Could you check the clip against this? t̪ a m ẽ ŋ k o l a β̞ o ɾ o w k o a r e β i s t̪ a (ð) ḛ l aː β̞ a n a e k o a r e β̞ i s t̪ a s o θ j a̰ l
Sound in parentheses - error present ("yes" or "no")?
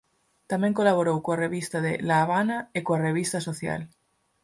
no